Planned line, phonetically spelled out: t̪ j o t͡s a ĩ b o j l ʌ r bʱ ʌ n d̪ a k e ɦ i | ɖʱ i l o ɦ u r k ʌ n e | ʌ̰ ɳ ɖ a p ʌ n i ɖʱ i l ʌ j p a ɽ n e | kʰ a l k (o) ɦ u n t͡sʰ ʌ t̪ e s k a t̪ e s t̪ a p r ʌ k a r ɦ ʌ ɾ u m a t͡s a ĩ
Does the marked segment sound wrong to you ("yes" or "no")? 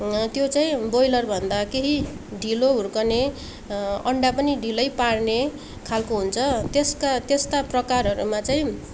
no